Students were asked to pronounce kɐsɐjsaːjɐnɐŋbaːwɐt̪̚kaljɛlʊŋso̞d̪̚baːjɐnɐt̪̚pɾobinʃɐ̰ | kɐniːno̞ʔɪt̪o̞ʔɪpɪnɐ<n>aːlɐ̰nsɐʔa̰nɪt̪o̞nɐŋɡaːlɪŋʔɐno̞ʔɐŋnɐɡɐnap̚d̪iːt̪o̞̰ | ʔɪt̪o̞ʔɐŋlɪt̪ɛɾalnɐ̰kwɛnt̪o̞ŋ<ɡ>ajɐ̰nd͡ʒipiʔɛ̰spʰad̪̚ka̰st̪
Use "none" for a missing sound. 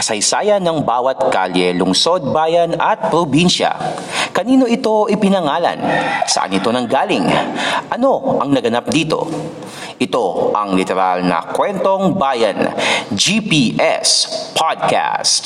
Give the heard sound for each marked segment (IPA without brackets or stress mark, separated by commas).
ŋ, b